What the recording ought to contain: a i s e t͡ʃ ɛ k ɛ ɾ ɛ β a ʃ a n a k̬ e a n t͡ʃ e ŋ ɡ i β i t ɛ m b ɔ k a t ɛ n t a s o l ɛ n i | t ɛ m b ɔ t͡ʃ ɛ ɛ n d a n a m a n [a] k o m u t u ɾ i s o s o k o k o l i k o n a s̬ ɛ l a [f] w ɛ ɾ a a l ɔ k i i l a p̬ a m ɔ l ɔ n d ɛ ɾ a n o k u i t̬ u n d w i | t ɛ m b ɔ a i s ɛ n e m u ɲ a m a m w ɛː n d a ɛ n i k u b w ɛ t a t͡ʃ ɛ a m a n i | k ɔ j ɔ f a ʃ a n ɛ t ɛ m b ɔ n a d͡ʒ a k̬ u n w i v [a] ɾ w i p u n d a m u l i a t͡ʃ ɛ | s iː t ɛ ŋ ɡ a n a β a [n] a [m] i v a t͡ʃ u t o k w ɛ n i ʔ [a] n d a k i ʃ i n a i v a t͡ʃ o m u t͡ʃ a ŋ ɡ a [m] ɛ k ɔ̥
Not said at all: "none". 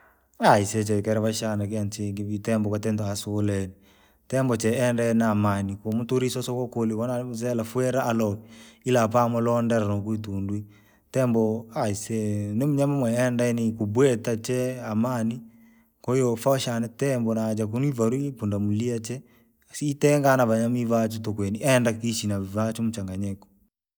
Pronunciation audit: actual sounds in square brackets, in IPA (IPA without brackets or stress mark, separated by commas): i, f, a, ɲ, m, ɛ, ɲ